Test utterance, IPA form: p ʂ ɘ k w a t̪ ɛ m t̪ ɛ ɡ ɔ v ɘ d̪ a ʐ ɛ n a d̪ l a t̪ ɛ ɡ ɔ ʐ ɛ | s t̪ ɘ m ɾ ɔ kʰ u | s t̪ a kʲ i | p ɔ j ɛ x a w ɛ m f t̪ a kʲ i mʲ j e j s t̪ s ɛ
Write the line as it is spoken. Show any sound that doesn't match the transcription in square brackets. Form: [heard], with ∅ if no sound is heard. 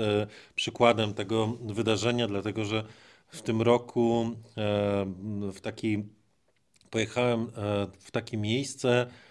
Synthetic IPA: p ʂ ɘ k w a [d̪] ɛ m t̪ ɛ ɡ ɔ v ɘ d̪ a ʐ ɛ [ɲ] a d̪ l a t̪ ɛ ɡ ɔ ʐ ɛ | [f] t̪ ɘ m ɾ ɔ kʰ u | [f] t̪ a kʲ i | p ɔ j ɛ x a w ɛ m f t̪ a kʲ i mʲ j e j s t̪ s ɛ